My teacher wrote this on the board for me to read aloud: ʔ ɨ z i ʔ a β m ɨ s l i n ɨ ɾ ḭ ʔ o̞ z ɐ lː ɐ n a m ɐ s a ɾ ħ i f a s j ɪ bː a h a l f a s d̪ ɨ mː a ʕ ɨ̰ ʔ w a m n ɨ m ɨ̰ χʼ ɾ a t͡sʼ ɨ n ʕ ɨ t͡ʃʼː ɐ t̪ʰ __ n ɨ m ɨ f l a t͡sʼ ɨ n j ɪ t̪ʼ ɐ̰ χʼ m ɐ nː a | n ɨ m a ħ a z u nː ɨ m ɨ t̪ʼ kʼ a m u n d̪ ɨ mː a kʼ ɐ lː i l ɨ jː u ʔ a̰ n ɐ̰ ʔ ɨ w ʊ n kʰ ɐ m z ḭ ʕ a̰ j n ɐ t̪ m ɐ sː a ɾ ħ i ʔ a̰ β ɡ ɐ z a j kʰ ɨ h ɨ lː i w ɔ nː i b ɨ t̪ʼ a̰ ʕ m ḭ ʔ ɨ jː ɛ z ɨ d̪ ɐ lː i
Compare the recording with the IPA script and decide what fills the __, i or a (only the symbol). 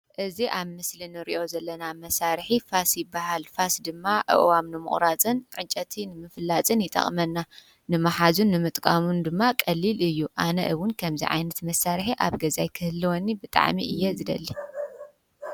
i